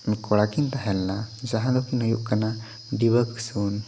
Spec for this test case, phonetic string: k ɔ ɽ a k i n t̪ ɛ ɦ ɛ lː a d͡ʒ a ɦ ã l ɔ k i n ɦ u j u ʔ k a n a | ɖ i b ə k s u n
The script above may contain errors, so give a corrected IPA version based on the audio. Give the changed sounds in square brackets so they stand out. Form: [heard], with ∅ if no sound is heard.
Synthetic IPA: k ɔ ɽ a k i n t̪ [a] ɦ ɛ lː a d͡ʒ a ɦ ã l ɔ k i n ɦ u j u ʔ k a n a | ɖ i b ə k s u n